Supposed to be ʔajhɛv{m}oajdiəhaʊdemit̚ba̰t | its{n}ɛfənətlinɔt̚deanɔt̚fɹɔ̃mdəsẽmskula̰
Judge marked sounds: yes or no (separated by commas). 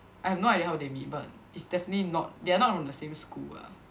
no, no